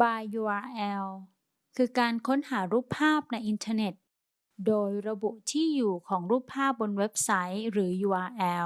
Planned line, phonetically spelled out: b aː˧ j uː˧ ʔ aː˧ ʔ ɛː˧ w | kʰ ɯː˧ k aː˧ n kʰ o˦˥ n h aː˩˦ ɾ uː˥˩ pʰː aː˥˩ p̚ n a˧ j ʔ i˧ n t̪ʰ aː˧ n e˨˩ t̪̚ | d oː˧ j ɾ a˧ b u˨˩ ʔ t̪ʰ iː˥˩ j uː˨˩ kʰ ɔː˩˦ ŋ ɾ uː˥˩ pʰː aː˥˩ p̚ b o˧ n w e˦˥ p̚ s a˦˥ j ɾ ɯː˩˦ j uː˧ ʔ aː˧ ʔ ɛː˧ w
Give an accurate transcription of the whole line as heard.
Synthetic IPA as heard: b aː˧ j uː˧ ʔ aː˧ ʔ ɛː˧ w | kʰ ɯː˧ k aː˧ n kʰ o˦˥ n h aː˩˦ ɾ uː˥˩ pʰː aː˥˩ p̚ n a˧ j ʔ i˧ n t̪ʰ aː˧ n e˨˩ t̪̚ | d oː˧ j ɾ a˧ b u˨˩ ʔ t̪ʰ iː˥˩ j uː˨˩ kʰ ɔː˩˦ ŋ ɾ uː˥˩ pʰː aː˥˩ p̚ b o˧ n w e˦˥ p̚ s a˦˥ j ɾ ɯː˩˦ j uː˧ ʔ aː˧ ʔ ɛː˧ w